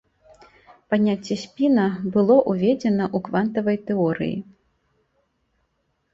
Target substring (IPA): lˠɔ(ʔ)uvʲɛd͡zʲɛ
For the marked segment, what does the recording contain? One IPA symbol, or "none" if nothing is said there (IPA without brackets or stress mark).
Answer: ʔ